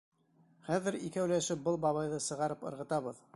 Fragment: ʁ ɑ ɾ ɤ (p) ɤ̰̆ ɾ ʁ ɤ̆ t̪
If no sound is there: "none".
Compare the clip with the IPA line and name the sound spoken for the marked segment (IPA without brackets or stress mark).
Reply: p